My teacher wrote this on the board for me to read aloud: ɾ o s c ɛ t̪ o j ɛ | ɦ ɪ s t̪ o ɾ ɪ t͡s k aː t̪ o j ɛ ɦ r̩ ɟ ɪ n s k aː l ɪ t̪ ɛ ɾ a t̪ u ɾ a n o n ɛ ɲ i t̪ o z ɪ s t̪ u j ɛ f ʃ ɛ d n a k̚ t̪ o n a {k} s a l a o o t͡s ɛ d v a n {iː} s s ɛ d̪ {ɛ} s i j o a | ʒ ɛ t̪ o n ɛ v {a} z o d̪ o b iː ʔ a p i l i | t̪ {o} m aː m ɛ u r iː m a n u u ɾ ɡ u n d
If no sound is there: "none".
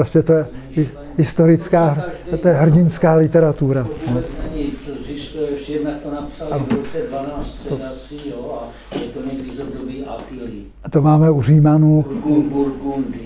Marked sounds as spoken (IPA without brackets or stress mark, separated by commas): p, aː, a, i, o